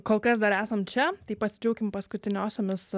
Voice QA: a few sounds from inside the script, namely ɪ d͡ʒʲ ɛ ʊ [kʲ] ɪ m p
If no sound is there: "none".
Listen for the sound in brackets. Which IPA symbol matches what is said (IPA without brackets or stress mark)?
kʲ